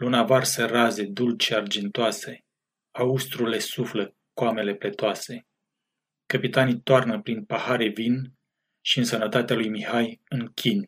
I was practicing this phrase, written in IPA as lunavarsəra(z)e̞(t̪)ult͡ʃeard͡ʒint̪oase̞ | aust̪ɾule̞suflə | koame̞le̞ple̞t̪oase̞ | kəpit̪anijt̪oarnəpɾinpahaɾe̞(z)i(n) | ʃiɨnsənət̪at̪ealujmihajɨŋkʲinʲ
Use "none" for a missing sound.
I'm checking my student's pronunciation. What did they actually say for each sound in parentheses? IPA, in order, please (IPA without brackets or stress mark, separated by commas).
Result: z, d̪, v, n